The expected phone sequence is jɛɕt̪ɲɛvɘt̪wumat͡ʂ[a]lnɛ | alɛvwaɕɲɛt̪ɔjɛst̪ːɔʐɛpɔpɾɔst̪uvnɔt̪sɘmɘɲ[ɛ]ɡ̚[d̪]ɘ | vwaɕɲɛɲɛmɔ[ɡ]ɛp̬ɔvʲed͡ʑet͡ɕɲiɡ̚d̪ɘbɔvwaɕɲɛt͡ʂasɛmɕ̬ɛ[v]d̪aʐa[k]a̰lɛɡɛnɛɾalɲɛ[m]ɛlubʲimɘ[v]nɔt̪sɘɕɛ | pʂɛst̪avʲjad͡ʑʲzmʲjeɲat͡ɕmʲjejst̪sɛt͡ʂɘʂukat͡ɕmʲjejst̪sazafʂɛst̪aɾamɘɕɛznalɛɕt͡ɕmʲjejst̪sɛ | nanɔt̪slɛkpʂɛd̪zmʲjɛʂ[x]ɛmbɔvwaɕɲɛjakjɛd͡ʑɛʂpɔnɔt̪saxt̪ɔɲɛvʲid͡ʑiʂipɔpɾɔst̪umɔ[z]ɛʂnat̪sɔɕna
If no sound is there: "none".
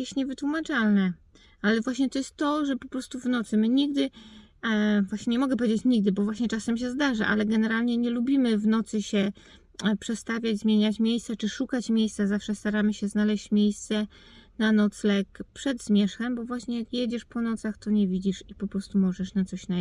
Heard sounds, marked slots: a, i, d̪, ɡ, z, ʔ, ɲ, v, x, ʐ

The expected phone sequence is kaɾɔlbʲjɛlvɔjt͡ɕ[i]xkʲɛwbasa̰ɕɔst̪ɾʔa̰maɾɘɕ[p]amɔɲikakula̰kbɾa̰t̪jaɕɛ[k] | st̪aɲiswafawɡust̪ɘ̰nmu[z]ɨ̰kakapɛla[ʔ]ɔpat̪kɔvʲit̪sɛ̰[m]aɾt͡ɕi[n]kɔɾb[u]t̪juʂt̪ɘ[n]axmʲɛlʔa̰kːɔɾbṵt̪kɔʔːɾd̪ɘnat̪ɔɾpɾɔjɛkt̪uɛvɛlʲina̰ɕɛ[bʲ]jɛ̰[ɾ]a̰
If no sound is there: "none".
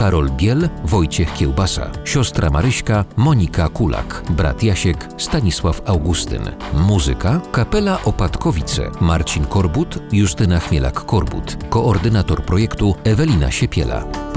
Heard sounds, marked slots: ɛ, k, k, z, ʔ, m, n, u, n, pʲ, l

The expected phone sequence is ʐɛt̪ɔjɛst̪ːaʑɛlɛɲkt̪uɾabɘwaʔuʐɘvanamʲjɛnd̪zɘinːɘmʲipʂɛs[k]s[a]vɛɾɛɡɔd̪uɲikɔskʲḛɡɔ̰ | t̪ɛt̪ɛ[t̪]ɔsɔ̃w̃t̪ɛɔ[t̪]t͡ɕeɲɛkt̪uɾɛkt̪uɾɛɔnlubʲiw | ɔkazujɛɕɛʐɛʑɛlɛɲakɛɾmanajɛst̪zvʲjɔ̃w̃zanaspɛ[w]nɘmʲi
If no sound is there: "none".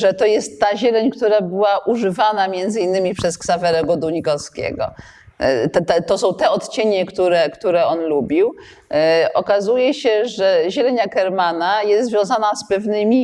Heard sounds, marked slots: k, a, t̪, t̪, v

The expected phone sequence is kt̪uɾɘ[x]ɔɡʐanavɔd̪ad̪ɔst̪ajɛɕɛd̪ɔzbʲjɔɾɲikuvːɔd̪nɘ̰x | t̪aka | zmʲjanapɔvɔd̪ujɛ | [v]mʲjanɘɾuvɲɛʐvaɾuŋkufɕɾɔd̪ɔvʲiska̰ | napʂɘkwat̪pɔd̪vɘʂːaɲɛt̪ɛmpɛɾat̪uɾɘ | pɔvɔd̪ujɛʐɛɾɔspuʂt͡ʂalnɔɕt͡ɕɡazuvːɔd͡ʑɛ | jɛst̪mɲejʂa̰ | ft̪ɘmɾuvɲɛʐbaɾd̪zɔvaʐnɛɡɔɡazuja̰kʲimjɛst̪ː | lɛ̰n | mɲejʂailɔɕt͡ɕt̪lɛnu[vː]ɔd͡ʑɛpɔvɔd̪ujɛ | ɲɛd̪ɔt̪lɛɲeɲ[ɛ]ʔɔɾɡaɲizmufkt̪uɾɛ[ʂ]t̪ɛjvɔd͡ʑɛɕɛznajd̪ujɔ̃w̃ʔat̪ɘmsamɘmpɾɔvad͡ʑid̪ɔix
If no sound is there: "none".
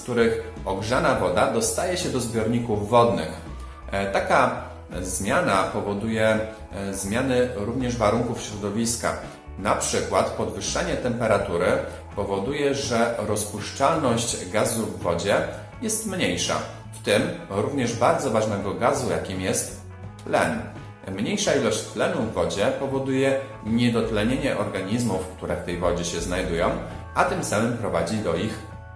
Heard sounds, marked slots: x, z, vː, ɛ, f

